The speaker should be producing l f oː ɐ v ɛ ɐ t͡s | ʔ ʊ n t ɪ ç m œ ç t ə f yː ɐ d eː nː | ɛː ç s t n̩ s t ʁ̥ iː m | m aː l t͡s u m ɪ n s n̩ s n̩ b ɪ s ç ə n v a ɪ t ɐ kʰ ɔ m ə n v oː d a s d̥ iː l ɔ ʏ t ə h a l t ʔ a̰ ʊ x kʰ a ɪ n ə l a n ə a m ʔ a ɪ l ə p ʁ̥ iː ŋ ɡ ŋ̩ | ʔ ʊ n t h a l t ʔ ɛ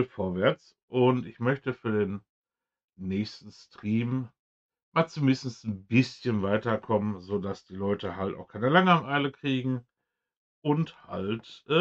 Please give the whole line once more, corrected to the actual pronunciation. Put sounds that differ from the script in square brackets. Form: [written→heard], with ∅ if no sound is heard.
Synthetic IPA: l f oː ɐ v ɛ ɐ t͡s | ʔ ʊ n t ɪ ç m œ ç t ə f yː ɐ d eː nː | ɛː ç s t n̩ s t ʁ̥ iː m | m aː l t͡s u m ɪ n s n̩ s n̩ b ɪ s ç ə n v a ɪ t ɐ kʰ ɔ m ə n [v→z] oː d a s d̥ iː l ɔ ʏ t ə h a l t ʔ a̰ ʊ x kʰ a ɪ n ə l a [n→ŋ] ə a m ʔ a ɪ l ə [p→k] ʁ̥ iː [ŋ→∅] ɡ ŋ̩ | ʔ ʊ n t h a l t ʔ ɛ